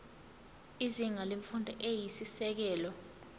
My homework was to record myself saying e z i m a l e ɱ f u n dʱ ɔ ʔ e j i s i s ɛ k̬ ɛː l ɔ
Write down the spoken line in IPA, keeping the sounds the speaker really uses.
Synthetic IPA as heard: i z i ŋ a l e ɱ f u n dʱ ɔ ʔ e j i s i s ɛ k̬ ɛː l ɔ